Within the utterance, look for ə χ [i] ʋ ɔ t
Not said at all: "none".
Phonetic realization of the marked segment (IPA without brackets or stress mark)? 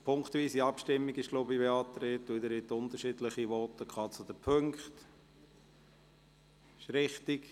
i